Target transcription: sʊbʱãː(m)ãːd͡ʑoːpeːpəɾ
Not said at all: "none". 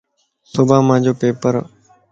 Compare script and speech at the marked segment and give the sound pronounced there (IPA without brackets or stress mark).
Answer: m